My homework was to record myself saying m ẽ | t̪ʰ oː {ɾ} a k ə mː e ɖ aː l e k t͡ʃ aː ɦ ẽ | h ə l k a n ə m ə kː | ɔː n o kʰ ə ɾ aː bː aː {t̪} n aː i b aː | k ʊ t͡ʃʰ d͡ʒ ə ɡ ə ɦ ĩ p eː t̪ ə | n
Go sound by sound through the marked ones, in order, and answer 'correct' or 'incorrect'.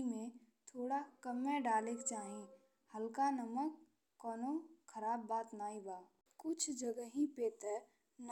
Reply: incorrect: ɽ, correct

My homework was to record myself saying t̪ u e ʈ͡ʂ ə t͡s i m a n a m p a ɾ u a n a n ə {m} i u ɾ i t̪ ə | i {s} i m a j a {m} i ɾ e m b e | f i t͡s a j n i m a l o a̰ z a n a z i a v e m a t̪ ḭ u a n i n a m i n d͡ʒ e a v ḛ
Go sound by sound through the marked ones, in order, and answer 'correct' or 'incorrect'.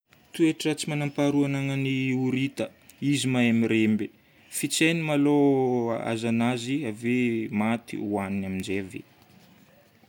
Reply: incorrect: n, incorrect: z, correct

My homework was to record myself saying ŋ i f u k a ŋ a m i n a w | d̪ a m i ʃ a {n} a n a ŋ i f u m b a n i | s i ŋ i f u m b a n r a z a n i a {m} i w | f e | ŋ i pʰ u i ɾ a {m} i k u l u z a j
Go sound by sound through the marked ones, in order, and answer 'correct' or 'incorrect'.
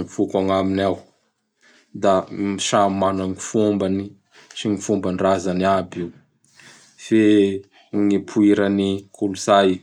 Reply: incorrect: m, incorrect: b, incorrect: n

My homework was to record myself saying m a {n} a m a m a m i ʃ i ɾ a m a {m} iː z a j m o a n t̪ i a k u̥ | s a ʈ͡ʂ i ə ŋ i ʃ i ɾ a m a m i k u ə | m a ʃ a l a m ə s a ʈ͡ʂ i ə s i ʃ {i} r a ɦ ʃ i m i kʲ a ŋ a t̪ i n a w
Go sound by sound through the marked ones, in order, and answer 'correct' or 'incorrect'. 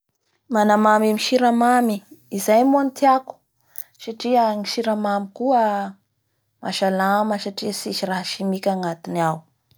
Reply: correct, correct, correct

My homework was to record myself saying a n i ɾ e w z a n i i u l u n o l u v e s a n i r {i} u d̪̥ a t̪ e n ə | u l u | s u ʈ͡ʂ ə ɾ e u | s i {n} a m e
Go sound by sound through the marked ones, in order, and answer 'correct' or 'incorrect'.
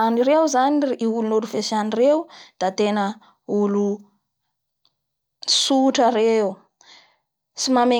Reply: incorrect: e, incorrect: m

